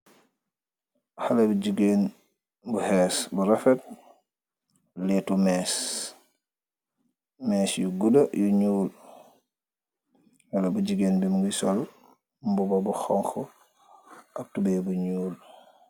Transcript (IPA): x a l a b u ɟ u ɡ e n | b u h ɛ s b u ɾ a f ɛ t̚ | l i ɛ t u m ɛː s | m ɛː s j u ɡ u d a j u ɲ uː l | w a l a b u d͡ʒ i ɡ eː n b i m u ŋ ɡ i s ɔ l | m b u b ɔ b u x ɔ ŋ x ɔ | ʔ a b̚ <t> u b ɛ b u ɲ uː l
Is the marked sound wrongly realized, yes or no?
no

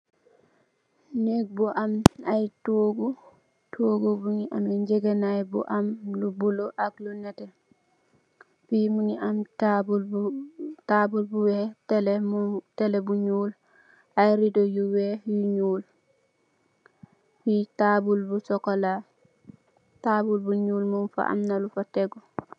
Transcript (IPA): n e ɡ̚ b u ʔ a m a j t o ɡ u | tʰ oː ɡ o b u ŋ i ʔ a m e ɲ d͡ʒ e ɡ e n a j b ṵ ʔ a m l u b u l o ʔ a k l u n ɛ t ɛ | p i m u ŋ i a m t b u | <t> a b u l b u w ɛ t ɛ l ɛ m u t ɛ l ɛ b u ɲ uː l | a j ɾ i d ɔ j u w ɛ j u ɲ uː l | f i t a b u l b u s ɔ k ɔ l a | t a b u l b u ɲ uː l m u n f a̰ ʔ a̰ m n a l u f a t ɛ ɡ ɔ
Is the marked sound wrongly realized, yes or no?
no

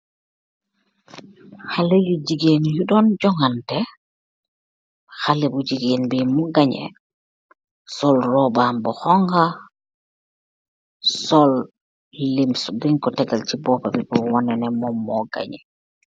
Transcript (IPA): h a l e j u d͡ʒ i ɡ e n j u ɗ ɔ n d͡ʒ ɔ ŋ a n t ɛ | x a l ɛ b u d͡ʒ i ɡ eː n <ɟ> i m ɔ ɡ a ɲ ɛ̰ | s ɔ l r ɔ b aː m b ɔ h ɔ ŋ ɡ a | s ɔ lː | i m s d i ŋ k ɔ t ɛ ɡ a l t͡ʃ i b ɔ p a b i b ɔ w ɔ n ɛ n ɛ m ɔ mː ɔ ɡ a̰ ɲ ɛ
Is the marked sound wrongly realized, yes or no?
yes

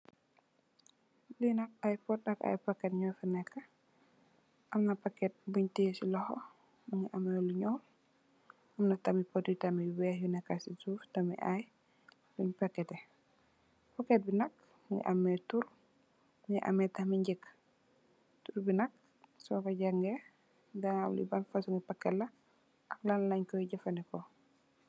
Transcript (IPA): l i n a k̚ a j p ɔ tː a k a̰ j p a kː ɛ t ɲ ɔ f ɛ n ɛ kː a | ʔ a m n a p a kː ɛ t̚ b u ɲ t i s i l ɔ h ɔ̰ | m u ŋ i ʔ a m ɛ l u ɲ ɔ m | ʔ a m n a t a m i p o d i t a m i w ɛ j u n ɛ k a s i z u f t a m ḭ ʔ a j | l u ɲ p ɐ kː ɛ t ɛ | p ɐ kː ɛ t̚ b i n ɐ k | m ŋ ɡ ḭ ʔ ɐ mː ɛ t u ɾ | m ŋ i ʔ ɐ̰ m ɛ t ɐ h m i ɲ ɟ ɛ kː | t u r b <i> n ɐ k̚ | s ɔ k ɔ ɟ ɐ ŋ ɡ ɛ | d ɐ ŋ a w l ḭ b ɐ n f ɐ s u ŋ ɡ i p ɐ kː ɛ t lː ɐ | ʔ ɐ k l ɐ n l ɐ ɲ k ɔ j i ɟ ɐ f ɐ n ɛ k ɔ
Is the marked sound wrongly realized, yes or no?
no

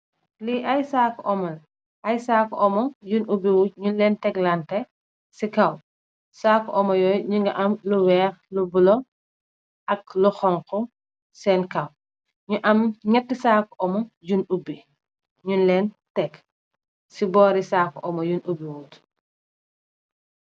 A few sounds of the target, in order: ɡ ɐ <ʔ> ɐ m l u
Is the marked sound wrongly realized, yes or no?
no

